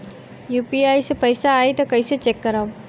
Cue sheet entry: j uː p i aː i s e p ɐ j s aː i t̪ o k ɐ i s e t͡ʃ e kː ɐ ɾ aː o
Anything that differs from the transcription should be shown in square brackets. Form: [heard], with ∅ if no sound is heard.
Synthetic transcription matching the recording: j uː p i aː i s e p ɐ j s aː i t̪ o k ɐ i s e t͡ʃ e kː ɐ ɾ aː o

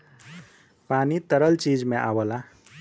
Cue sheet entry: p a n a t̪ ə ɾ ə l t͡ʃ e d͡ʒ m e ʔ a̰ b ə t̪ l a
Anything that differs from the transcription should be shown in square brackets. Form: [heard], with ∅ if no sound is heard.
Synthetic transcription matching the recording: p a n [i] t̪ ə ɾ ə l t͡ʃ [i] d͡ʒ m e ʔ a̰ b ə [∅] l a

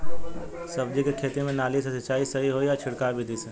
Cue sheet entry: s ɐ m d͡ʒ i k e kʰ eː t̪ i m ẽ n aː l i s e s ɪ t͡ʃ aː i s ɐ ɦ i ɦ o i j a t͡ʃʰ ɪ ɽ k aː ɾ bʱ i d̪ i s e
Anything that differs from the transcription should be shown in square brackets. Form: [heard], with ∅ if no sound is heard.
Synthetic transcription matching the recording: s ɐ [b] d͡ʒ i k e kʰ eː t̪ i m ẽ n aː l i s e s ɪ t͡ʃ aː i s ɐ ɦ i ɦ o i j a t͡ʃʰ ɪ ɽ k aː ɾ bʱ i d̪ i s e

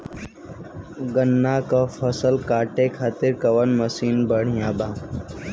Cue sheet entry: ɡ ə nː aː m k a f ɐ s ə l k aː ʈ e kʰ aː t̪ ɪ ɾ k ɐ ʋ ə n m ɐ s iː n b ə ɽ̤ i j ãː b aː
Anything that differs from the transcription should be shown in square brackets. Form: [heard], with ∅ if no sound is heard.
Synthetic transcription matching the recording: ɡ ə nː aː [∅] k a f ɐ s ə l k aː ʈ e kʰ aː t̪ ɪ ɾ k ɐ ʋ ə n m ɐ s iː n b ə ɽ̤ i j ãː b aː

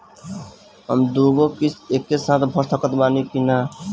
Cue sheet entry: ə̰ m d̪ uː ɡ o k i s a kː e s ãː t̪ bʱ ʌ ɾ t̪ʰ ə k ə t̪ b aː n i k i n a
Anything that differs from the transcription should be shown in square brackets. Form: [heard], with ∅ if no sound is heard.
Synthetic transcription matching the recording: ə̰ m d̪ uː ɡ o k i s [e] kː e s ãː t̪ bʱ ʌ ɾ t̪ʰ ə k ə t̪ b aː n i k i n a

